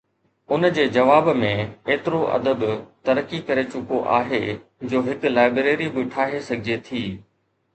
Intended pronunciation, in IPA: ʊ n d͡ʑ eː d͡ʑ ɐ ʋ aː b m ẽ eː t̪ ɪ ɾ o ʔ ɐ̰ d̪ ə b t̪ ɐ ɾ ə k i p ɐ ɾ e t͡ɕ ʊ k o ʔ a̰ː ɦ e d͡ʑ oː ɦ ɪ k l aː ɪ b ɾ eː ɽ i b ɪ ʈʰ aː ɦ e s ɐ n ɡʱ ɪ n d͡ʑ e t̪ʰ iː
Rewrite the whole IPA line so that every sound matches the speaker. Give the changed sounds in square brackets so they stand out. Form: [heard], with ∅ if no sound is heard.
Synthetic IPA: ʊ n d͡ʑ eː d͡ʑ ɐ ʋ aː b m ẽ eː t̪ ɪ ɾ o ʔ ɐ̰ d̪ ə b t̪ ɐ ɾ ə k i [k] ɐ ɾ e t͡ɕ ʊ k o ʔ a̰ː ɦ e d͡ʑ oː ɦ ɪ k l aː ɪ b ɾ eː [ɾ] i b ɪ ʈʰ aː ɦ e s ɐ [∅] ɡʱ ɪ [∅] d͡ʑ e t̪ʰ iː